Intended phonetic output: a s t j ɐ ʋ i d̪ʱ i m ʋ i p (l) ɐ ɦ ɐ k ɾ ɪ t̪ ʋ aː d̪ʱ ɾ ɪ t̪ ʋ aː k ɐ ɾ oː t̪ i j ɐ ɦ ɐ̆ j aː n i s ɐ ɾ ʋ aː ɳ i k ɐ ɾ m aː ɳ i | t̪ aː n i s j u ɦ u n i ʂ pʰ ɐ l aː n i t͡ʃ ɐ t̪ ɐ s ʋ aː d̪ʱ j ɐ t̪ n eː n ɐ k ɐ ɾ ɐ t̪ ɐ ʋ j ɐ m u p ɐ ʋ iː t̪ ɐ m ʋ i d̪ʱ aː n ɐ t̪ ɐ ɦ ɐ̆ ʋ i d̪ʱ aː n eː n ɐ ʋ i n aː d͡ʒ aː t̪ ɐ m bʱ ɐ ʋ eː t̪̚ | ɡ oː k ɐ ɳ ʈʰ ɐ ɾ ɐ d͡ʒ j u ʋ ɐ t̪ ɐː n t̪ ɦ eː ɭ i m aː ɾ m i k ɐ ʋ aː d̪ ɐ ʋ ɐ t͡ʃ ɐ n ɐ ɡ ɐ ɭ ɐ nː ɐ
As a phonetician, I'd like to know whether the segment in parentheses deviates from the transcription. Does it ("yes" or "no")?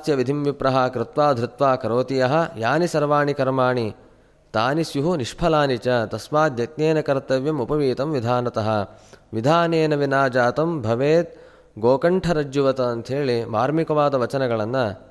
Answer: yes